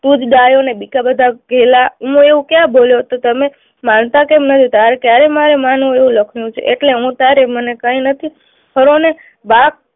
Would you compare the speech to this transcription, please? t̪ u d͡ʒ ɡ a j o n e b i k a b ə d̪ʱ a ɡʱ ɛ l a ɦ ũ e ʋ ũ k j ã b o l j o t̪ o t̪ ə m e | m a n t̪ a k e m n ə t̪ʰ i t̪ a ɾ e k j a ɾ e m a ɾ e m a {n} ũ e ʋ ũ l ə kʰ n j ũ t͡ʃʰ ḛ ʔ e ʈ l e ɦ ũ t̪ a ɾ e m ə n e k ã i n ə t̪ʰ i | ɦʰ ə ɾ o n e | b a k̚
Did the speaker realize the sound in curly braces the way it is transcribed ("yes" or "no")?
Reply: yes